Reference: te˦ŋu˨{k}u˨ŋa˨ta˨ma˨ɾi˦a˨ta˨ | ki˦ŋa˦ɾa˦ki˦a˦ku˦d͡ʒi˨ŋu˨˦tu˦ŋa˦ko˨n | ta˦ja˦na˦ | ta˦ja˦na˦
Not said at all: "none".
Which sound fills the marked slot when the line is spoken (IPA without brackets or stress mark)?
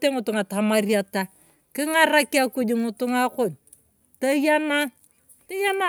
t